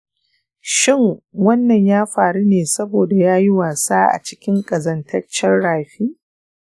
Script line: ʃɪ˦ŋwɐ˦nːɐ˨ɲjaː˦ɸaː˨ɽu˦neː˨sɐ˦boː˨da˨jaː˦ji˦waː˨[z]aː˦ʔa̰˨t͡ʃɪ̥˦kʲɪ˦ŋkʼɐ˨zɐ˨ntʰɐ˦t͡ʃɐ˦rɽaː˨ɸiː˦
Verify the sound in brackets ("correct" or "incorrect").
incorrect